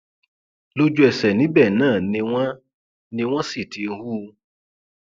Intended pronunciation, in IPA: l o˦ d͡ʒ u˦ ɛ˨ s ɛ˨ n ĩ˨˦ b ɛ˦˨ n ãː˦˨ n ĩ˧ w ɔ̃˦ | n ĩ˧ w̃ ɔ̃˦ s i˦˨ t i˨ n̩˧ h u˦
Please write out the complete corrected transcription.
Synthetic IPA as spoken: l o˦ d͡ʒ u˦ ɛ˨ s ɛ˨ n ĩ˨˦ b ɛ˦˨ n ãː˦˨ n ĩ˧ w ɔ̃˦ | n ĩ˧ w̃ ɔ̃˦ s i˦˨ t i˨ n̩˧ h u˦